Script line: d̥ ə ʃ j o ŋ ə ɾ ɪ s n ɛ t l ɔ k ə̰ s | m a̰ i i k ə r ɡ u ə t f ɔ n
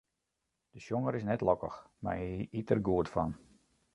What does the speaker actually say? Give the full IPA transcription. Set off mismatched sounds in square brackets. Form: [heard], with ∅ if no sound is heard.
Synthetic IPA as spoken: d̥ ə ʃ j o ŋ ə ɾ ɪ s n ɛ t l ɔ k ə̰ [x] | m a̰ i i [t] ə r ɡ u ə t f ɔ n